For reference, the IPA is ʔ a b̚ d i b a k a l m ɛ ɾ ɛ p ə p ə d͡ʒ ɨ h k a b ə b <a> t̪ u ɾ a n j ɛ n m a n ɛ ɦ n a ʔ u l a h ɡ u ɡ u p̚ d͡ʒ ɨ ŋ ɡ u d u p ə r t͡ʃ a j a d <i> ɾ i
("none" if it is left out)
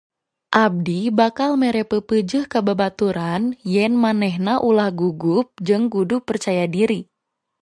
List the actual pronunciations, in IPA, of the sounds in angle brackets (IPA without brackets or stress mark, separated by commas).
a, i